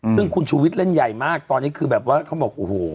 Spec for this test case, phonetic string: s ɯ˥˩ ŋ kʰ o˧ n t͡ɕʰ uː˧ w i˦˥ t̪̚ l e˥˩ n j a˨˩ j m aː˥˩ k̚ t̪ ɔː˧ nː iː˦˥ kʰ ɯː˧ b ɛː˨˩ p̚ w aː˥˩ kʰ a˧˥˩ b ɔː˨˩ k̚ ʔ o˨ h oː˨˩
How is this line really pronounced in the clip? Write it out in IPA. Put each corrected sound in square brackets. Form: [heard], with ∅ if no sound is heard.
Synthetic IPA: s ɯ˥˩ ŋ kʰ [u˧] n t͡ɕʰ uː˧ w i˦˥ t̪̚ l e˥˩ n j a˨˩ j m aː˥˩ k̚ t̪ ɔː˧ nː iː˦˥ kʰ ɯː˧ b ɛː˨˩ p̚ w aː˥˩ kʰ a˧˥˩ b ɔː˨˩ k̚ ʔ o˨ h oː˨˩